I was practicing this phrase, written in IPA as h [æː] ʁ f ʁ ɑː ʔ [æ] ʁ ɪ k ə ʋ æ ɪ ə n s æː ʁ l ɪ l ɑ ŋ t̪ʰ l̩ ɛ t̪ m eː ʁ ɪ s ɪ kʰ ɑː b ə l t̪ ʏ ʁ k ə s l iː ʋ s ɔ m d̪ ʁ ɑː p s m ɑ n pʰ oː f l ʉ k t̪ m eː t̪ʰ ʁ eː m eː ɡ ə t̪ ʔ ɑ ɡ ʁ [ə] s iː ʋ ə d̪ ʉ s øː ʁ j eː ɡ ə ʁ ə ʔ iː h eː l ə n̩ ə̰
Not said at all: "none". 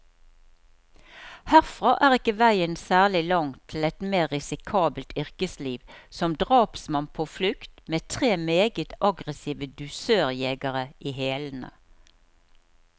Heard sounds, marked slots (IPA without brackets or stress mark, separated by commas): æ, æː, ə